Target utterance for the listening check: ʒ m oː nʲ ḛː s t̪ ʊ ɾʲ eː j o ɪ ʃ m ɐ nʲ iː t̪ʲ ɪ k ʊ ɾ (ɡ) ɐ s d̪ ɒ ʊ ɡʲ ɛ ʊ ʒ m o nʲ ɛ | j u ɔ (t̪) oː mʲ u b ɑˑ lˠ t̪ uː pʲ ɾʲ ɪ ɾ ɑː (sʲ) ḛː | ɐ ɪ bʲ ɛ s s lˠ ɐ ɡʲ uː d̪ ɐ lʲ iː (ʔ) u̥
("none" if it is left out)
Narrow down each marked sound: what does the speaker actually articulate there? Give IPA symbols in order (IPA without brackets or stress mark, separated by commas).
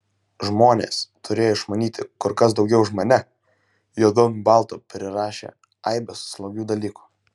k, d̪, ʃʲ, k